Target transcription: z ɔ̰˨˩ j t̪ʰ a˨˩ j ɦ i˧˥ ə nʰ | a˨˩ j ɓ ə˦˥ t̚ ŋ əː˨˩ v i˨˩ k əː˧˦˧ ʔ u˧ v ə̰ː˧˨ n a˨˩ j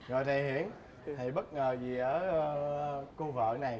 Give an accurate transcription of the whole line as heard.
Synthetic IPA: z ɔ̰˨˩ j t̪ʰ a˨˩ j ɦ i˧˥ ə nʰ | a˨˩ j ɓ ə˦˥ t̚ ŋ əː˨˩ z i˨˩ ʔ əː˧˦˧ k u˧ v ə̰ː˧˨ n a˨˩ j